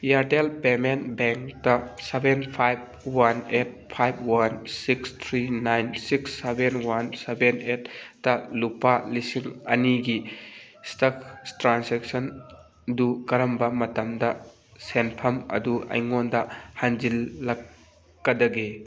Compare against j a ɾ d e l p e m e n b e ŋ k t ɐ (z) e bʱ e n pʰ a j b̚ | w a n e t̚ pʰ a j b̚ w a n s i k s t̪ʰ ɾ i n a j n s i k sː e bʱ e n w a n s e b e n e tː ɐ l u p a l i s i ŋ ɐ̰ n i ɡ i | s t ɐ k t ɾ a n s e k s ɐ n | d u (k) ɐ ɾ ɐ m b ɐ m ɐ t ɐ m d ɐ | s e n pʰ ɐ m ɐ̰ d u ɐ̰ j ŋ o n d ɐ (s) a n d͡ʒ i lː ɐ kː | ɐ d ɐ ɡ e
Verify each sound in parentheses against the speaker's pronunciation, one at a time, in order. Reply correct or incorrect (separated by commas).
incorrect, correct, incorrect